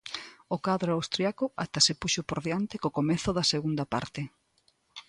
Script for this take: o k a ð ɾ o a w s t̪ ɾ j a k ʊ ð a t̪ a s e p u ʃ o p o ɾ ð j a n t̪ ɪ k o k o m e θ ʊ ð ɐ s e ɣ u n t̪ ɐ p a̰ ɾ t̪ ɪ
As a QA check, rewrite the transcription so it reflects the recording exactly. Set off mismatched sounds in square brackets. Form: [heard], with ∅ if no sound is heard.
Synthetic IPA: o k a ð ɾ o a w s t̪ ɾ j a k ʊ [∅] a t̪ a s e p u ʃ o p o ɾ ð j a n t̪ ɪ k o k o m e θ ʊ ð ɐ s e ɣ u n [d̪] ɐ p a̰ ɾ t̪ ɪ